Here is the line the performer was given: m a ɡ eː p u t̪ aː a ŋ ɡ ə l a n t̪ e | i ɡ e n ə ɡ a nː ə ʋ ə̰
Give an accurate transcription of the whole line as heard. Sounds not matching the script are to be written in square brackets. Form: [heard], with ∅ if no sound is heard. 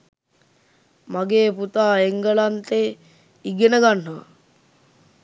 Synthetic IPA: m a ɡ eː p u t̪ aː [e] ŋ ɡ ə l a n t̪ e | i ɡ e n ə ɡ a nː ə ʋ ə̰